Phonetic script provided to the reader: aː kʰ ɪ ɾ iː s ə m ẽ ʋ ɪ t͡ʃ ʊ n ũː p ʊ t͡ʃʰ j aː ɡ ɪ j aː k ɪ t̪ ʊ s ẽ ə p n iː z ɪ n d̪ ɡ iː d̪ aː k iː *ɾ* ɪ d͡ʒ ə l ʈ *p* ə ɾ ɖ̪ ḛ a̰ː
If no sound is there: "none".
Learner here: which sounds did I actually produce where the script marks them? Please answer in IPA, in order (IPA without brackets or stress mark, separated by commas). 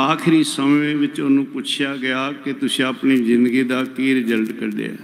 ɾ, k